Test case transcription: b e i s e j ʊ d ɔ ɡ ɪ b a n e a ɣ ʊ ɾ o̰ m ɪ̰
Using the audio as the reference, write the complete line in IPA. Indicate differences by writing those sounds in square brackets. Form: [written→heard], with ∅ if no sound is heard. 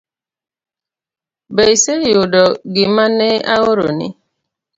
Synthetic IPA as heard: b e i s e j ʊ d ɔ ɡ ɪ [b→m] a n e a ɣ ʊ ɾ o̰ [m→n] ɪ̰